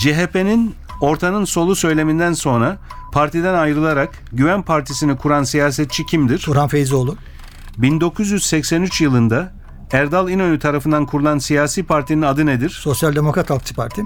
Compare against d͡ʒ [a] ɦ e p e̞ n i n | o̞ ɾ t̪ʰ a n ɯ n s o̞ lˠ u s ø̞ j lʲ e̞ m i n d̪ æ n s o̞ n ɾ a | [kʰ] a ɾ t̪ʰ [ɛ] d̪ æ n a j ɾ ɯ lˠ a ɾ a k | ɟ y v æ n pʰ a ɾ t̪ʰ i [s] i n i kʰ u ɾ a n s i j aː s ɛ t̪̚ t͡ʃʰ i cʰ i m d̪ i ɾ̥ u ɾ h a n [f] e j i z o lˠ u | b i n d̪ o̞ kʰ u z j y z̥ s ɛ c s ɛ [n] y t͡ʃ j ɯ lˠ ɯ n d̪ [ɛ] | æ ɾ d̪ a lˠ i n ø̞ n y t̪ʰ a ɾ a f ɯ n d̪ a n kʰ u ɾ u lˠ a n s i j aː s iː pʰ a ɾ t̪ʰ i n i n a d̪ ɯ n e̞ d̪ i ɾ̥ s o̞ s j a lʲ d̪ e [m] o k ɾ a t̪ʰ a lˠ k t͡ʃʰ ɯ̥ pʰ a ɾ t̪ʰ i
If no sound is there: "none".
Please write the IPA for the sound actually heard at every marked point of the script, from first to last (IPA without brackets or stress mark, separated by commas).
e, pʰ, i, s, f, n, a, m